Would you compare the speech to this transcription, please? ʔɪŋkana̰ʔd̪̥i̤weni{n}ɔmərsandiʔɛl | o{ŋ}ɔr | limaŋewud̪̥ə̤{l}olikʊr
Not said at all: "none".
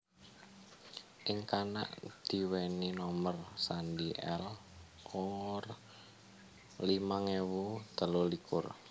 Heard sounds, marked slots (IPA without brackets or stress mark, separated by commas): n, ŋ, l